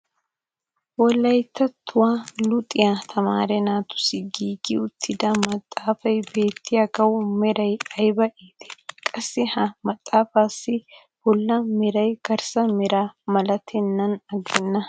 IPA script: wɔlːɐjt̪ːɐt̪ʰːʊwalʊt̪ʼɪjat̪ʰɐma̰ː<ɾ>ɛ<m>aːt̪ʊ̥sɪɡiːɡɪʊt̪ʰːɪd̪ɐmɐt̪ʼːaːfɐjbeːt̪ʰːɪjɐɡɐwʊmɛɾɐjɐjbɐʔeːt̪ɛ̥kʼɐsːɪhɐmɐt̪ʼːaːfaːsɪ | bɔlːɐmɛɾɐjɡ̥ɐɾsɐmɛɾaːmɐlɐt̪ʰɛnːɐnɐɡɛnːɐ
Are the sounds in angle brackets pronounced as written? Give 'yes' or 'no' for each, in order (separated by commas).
yes, no